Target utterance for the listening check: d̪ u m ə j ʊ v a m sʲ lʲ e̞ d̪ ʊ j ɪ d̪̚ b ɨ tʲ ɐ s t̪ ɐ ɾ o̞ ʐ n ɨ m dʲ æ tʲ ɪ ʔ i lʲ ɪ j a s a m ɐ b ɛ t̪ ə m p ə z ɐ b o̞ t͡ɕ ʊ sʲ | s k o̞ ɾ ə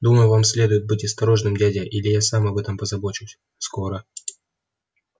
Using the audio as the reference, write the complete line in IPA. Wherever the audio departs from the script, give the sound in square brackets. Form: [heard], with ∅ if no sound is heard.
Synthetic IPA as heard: d̪ u m ə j ʊ v a m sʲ lʲ e̞ d̪ ʊ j ɪ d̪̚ b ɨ tʲ ɐ s t̪ ɐ ɾ o̞ ʐ n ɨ m dʲ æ [dʲ] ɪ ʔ i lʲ ɪ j a s a m ɐ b ɛ t̪ ə m p ə z ɐ b o̞ t͡ɕ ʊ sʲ | s k o̞ ɾ ə